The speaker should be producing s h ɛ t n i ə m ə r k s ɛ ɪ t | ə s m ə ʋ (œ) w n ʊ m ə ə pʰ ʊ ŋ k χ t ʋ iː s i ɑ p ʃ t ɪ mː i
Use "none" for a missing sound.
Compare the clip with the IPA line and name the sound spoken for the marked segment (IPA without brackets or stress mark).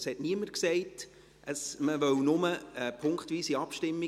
œ